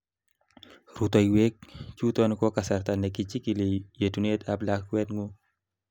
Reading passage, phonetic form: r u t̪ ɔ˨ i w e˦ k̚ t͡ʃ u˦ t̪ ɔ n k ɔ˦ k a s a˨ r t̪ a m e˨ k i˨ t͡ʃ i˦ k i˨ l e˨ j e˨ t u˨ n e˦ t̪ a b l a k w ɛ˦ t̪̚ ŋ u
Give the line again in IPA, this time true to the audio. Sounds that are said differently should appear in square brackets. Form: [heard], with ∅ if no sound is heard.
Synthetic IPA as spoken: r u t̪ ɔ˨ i w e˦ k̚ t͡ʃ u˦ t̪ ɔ n k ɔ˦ k a s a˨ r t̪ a [n] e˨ k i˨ t͡ʃ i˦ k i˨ l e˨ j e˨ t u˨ n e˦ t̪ a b l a k w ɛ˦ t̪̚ ŋ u